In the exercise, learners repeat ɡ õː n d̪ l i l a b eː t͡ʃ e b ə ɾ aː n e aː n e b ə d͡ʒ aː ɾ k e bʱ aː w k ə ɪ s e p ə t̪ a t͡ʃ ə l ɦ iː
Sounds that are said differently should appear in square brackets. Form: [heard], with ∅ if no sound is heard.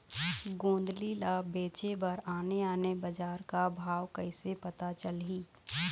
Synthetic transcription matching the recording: ɡ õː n d̪ l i l a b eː t͡ʃ e b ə ɾ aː n e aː n e b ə d͡ʒ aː ɾ k [a] bʱ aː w k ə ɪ s e p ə t̪ a t͡ʃ ə l ɦ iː